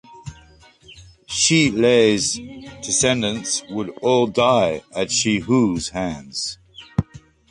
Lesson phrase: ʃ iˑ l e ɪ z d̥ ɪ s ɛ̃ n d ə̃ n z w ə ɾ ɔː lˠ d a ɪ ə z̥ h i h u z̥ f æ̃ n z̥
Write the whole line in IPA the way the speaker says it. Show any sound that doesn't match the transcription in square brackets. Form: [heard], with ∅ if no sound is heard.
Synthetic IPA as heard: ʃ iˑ l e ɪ z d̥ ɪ s ɛ̃ n d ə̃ n [s] w ə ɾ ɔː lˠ d a ɪ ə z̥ [ʃ] i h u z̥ [h] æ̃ n z̥